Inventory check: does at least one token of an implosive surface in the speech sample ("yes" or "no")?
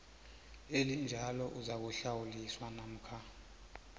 no